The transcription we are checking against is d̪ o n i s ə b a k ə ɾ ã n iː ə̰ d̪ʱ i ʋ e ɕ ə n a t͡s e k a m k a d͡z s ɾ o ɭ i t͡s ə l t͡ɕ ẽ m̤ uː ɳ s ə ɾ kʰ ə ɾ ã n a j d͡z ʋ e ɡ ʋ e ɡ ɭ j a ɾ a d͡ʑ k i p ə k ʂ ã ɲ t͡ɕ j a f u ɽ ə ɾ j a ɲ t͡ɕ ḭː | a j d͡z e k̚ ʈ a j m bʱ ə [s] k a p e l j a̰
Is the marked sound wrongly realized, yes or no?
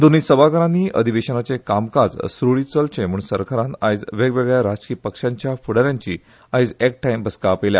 no